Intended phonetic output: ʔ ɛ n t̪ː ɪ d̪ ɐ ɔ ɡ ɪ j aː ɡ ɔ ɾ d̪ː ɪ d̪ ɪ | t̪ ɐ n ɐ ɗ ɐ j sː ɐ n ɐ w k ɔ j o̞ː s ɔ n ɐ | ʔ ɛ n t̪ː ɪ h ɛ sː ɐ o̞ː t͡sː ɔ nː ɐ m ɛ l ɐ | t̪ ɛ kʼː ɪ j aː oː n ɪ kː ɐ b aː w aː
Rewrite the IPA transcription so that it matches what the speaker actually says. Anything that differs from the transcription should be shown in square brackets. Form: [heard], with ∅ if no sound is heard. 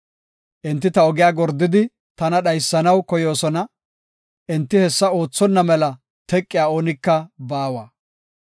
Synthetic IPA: ʔ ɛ n t̪ː ɪ [t̪] ɐ ɔ ɡ ɪ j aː ɡ ɔ ɾ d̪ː ɪ d̪ ɪ | t̪ ɐ n ɐ ɗ ɐ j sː ɐ n ɐ w k ɔ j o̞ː s ɔ n ɐ | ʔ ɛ n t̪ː ɪ h ɛ sː ɐ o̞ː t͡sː ɔ nː ɐ m ɛ l ɐ | t̪ ɛ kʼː ɪ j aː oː n ɪ kː ɐ b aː w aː